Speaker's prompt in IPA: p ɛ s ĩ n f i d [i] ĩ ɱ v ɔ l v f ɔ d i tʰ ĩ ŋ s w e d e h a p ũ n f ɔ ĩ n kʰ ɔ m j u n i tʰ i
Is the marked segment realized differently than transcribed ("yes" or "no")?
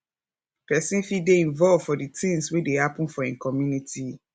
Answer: yes